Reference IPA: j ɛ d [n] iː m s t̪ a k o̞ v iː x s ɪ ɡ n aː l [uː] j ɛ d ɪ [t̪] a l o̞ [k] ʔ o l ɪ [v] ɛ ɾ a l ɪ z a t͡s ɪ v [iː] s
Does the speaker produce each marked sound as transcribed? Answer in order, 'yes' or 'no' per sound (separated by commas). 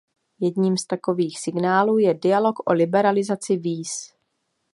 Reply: no, yes, no, yes, no, yes